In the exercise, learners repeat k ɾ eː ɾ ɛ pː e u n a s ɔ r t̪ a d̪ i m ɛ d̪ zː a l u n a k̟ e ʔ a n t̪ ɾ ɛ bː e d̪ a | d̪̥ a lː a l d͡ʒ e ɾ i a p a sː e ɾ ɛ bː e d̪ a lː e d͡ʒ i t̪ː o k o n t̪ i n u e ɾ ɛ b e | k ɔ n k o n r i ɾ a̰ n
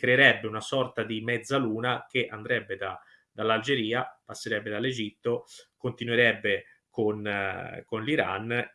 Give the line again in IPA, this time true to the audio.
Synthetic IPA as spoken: k ɾ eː ɾ ɛ bː e u n a s ɔ r t̪ a d̪ i m ɛ d̪ zː a l uː n a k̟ e ʔ a n d̪ ɾ ɛ bː e d̪ a | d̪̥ a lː a l d͡ʒ e ɾ iː a p a sː e ɾ ɛ bː e d̪ a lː e d͡ʒ i t̪ː o k o n t̪ i n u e ɾ ɛ bː e | k o n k o n l i ɾ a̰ n